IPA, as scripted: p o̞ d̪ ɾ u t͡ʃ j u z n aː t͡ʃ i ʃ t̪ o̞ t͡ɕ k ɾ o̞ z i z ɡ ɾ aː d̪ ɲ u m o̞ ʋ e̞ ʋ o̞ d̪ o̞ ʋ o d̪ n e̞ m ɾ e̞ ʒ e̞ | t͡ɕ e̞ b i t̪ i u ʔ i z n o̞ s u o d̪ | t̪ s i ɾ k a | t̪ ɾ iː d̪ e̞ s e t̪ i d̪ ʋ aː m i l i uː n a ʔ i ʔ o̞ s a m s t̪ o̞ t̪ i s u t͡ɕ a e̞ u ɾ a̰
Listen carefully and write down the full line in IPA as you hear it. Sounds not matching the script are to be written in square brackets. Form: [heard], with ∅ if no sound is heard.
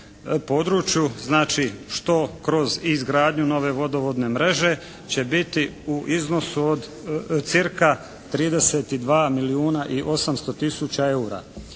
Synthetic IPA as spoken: p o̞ d̪ ɾ u t͡ʃ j u z n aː t͡ʃ i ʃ t̪ o̞ [∅] k ɾ o̞ z i z ɡ ɾ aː d̪ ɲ u [n] o̞ ʋ e̞ ʋ o̞ d̪ o̞ ʋ o d̪ n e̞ m ɾ e̞ ʒ e̞ | t͡ɕ e̞ b i t̪ i u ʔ i z n o̞ s u o d̪ | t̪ s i ɾ k a | t̪ ɾ iː d̪ e̞ s e t̪ i d̪ ʋ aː m i l i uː n a ʔ i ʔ o̞ s a m s t̪ o̞ t̪ i s u t͡ɕ a e̞ u ɾ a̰